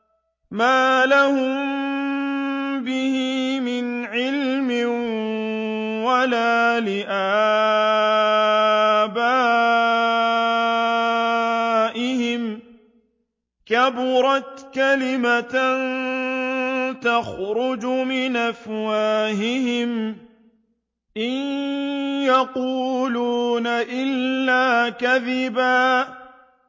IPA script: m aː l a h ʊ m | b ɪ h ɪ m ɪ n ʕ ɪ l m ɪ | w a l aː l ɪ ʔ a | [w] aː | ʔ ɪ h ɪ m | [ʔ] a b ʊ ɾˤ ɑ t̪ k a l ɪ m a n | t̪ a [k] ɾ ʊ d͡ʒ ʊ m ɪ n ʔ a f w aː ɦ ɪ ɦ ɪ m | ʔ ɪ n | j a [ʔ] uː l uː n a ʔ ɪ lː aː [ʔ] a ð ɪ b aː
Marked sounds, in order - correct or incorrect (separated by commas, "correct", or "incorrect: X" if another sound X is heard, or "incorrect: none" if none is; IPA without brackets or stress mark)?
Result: incorrect: b, incorrect: k, incorrect: x, incorrect: q, incorrect: k